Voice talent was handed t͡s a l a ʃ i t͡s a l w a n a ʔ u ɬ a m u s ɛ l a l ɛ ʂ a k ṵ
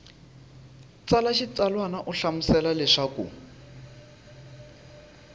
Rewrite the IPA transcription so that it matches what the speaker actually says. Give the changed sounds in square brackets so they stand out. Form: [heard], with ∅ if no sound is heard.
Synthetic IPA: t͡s a l a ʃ i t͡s a l w a n a ʔ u ɬ a m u s ɛ l a l ɛ ʂ a k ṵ